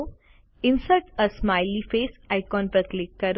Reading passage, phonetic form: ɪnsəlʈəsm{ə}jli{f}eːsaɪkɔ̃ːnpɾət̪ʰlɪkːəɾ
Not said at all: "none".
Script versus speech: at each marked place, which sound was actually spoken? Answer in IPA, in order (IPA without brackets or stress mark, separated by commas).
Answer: a, f